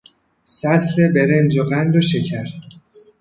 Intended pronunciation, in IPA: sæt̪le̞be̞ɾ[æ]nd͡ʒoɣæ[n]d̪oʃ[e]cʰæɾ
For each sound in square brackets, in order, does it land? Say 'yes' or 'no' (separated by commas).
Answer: no, yes, yes